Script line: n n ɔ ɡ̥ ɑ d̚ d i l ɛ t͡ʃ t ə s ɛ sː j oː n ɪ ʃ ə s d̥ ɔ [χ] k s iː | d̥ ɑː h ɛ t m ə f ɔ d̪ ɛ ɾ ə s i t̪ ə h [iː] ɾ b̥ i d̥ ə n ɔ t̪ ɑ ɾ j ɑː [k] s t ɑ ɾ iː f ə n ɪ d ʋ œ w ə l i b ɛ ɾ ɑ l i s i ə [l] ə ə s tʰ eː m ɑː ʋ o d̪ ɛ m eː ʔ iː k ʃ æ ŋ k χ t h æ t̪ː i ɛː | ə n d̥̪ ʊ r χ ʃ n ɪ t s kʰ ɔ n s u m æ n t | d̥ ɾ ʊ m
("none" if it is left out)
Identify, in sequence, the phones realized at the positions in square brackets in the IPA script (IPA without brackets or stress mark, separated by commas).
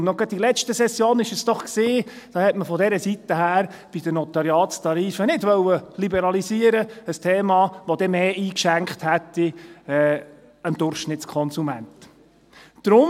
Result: χ, æː, t, ɾ